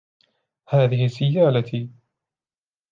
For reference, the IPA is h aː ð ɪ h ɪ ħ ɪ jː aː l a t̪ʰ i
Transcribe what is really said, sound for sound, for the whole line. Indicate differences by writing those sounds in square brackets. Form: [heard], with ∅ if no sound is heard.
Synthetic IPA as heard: h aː ð ɪ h ɪ [s] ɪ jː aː l a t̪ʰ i

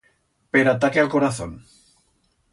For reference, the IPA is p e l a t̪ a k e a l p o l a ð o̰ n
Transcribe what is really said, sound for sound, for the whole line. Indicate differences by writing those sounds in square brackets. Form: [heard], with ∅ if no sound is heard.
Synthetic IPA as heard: p e [ɾ] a t̪ a k e a l [k] o [ɾ] a [θ] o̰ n

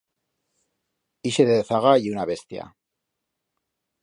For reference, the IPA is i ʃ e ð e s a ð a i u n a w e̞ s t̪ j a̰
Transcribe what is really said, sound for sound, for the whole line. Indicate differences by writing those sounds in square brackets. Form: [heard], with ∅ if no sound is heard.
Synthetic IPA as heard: i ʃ e ð e [θ] a [ɣ] a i u n a [β] e̞ s t̪ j a̰

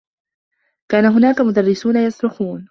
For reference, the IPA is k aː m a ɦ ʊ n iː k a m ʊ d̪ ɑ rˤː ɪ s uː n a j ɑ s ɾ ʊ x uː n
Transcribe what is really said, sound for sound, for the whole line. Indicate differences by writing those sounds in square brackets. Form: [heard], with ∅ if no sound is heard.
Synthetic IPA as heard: k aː [n] a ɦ ʊ n [aː] k a m ʊ d̪ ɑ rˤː ɪ s uː n a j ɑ s ɾ ʊ x uː n

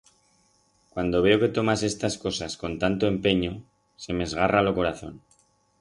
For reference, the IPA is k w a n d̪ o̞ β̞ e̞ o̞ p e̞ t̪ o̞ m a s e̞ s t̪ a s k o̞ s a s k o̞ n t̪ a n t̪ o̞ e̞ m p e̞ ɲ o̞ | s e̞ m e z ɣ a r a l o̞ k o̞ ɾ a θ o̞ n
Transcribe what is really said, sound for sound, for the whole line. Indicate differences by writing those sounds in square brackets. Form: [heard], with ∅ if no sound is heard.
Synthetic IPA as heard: k w a n d̪ o̞ β̞ e̞ o̞ [k] e̞ t̪ o̞ m a s e̞ s t̪ a s k o̞ s a s k o̞ n t̪ a n t̪ o̞ e̞ m p e̞ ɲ o̞ | s e̞ m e z ɣ a r a l o̞ k o̞ ɾ a θ o̞ n

